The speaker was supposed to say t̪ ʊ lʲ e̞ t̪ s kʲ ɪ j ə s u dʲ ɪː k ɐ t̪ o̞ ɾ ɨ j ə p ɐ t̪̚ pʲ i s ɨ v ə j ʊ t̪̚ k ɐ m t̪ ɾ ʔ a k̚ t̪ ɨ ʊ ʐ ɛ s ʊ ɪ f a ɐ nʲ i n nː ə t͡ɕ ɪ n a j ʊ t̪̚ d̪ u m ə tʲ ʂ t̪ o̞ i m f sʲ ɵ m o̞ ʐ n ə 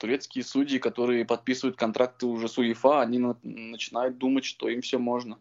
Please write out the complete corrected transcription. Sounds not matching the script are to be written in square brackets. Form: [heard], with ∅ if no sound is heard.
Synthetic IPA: t̪ ʊ [ɾʲ] e̞ t̪ s kʲ ɪ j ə s u dʲ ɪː k ɐ t̪ o̞ ɾ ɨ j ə p ɐ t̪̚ pʲ i s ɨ v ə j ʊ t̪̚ k ɐ [n] t̪ ɾ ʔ a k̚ t̪ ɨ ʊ ʐ ɛ s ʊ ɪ f a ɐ nʲ i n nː ə t͡ɕ ɪ n a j ʊ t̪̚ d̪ u m ə tʲ ʂ t̪ o̞ i m f sʲ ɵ m o̞ ʐ n ə